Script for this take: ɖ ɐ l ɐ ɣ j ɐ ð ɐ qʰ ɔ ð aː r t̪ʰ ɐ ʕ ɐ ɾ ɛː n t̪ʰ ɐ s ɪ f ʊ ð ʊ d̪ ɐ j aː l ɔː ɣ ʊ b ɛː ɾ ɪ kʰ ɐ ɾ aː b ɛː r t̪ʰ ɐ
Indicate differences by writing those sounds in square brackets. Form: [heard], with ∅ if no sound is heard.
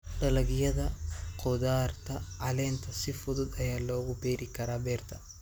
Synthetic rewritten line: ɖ ɐ l ɐ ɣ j ɐ ð ɐ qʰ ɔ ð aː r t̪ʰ ɐ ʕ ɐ [l] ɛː n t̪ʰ ɐ s ɪ f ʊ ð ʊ d̪ ɐ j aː l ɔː ɣ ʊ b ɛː ɾ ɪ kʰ ɐ ɾ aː b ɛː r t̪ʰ ɐ